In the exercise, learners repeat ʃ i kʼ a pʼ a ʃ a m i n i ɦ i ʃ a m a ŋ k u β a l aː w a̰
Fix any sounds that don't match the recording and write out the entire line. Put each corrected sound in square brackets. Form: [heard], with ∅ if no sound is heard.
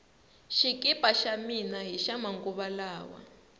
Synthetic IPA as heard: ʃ i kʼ [i] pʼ a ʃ a m i n [a] ɦ i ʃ a m a ŋ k u β a l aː w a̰